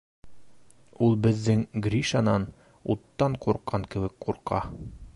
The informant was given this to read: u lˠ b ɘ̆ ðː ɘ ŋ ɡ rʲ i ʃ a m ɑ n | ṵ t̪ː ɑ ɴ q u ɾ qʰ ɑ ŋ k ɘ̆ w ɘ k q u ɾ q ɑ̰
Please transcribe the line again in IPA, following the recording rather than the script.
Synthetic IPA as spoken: u lˠ b ɘ̆ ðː ɘ ŋ ɡ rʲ i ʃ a n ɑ n | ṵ t̪ː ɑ ɴ q u ɾ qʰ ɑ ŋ k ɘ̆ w ɘ k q u ɾ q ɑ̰